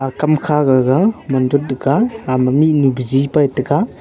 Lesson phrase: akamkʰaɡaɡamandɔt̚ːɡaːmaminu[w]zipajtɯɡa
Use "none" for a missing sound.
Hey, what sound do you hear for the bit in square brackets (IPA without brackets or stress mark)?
b